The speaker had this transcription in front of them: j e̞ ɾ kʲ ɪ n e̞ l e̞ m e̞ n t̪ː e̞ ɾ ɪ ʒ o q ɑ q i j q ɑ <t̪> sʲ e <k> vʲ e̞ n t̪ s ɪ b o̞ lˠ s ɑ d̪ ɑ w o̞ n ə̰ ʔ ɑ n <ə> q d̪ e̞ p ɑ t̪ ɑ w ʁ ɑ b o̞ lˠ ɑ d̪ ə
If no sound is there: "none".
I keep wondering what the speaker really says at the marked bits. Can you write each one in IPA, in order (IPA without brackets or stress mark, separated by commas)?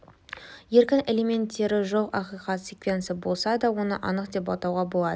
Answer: t̪, k, ə